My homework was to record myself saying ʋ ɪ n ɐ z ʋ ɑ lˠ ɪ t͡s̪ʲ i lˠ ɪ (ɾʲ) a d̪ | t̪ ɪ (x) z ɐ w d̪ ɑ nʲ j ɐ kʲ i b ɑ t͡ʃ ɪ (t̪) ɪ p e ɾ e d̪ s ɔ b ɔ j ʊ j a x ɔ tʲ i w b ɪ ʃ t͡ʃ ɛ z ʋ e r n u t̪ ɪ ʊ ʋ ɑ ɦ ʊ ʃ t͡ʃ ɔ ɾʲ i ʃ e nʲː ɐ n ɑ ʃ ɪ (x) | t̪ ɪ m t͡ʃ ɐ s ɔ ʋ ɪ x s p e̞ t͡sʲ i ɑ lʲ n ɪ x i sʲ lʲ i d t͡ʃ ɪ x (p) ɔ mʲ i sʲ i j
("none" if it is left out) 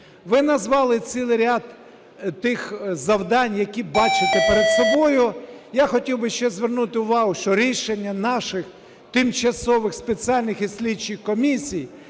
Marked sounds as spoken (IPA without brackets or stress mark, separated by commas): ɾʲ, x, t̪, x, k